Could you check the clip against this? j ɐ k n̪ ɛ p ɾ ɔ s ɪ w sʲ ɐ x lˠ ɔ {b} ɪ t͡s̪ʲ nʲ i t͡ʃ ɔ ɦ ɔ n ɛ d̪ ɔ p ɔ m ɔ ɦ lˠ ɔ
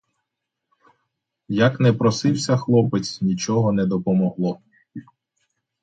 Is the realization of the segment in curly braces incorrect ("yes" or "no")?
yes